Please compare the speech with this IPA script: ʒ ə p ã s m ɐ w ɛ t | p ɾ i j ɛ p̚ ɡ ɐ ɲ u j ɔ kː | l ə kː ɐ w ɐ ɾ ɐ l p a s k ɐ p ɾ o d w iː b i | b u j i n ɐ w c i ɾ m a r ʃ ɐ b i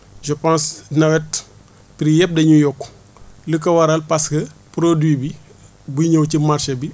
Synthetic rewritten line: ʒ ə p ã s n ɐ w ɛ t | p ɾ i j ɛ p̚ d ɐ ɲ u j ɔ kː | l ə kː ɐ w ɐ ɾ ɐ l p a s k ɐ p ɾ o d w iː b i | b u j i ɲ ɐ w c i m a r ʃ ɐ b i